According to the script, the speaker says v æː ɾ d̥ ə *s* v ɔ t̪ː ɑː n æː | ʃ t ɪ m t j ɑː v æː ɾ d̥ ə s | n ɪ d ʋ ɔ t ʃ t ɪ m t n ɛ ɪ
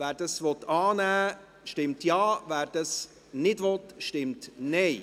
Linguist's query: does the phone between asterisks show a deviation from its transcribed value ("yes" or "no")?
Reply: no